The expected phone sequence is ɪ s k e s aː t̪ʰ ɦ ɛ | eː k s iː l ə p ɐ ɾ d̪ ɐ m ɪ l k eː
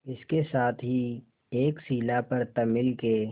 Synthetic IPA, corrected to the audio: ɪ s k e s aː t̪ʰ ɦ i | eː k s iː l a p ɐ ɾ t̪ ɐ m ɪ l k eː